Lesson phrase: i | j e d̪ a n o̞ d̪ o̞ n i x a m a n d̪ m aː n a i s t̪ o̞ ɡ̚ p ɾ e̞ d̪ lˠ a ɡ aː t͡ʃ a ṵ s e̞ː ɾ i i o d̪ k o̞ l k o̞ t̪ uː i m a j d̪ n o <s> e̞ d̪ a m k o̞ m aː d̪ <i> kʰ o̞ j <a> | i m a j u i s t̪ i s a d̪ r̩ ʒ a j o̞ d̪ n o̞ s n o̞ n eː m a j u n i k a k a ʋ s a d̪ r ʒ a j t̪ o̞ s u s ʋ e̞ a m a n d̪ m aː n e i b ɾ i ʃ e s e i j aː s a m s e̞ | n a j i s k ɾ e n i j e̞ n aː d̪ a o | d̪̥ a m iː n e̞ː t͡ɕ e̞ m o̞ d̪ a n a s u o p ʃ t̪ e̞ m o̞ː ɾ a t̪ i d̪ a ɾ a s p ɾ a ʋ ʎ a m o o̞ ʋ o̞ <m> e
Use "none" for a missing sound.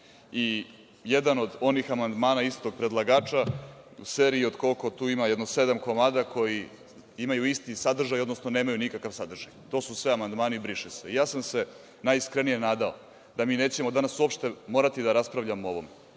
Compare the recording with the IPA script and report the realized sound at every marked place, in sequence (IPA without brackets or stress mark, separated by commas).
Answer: s, a, i, m